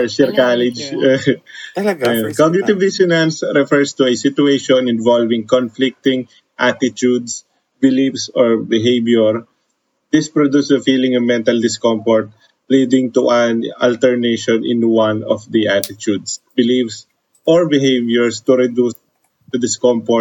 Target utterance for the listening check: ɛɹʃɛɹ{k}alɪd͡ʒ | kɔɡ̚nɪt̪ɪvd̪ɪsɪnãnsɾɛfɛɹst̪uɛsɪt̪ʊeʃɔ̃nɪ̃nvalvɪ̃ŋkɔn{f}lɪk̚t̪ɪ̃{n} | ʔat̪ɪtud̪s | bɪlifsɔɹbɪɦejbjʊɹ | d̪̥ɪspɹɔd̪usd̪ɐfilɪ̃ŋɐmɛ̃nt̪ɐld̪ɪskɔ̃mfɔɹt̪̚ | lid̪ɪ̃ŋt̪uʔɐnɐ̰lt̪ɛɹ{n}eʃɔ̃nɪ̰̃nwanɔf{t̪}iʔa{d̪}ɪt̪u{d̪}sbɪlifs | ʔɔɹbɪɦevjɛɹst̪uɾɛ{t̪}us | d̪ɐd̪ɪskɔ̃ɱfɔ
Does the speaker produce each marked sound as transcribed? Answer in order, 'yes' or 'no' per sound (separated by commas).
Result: yes, yes, no, yes, no, no, yes, no